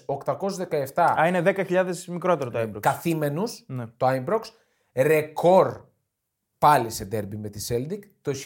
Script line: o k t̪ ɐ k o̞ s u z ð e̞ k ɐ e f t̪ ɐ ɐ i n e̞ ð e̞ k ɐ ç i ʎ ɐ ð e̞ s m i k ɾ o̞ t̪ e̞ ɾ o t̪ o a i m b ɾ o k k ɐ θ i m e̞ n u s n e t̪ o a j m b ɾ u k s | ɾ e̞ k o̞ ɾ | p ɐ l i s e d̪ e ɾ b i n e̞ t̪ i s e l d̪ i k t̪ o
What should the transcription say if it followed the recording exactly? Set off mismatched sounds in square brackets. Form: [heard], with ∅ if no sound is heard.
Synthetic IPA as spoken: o k t̪ ɐ k o̞ s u z ð e̞ k ɐ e f t̪ ɐ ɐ i n e̞ ð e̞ k ɐ ç i ʎ ɐ ð e̞ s m i k ɾ o̞ t̪ e̞ ɾ o t̪ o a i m b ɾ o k k ɐ θ i m e̞ n u s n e t̪ o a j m b ɾ [o] k s | ɾ e̞ k o̞ ɾ | p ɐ l i s e d̪ e ɾ b i [m] e̞ t̪ i s e l d̪ i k t̪ o